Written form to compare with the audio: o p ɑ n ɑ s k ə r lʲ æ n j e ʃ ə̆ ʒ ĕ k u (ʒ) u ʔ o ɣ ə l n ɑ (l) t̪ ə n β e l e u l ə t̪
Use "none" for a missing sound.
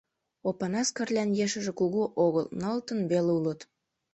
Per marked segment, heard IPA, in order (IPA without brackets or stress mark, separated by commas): ɣ, l